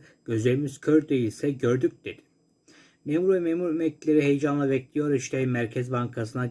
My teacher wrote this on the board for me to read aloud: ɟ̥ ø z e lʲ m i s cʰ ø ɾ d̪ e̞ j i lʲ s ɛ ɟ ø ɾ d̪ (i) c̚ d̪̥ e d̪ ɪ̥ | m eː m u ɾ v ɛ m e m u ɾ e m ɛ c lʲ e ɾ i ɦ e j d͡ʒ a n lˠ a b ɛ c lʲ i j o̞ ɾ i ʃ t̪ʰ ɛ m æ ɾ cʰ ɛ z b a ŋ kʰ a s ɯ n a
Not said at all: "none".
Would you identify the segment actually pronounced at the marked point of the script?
y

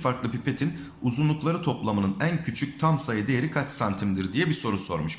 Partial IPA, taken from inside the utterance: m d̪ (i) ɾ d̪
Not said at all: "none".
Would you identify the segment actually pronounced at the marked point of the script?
i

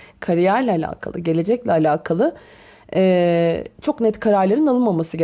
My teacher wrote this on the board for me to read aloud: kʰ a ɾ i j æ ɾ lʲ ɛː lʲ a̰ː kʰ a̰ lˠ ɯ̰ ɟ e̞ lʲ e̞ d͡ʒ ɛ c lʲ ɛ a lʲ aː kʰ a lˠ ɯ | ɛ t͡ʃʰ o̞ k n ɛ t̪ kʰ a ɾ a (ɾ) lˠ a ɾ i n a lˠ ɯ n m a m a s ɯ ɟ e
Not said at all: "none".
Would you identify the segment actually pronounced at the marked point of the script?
ɾ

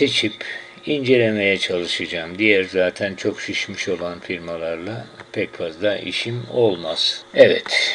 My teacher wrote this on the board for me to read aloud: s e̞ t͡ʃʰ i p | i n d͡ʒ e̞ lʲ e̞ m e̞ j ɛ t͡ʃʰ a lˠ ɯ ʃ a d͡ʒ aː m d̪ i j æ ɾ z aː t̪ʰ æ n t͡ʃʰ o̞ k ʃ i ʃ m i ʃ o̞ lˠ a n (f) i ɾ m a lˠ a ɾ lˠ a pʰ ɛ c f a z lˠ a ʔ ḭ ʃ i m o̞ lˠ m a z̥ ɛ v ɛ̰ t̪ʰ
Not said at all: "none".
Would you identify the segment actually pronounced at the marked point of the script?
f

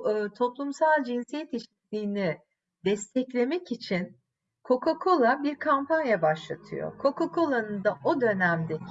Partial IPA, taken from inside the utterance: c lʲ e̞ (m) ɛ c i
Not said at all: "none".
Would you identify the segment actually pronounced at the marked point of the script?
m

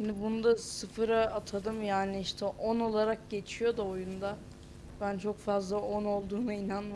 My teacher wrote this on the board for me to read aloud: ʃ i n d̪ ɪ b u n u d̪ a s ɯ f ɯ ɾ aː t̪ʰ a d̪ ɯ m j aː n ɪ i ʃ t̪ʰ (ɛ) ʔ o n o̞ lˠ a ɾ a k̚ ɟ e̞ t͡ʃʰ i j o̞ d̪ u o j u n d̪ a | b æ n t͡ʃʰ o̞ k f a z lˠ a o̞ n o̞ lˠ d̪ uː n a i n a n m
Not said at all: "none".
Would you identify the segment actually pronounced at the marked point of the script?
ɛ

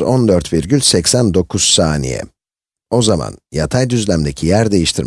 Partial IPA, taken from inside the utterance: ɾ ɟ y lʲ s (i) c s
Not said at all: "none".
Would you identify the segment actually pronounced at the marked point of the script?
ɛ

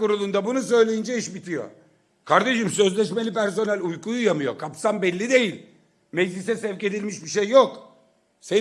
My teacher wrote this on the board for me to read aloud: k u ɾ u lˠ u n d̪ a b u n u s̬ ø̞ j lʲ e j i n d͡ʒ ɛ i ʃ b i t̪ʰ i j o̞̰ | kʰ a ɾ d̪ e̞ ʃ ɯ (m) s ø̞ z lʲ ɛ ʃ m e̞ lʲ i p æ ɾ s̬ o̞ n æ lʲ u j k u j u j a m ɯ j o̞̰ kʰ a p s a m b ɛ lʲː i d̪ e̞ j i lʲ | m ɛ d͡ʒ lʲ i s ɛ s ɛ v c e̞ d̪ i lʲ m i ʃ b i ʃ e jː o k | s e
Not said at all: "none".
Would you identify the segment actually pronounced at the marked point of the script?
m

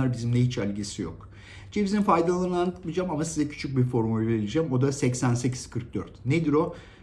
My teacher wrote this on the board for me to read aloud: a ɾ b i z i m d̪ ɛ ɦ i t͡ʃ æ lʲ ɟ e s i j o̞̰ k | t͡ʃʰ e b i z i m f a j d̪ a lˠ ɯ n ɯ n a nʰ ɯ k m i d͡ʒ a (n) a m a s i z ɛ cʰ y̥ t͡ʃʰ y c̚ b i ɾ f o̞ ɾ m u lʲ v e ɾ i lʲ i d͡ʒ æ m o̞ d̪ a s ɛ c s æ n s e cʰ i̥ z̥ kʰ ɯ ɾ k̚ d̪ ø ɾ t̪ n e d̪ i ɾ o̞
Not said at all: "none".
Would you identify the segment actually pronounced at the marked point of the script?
m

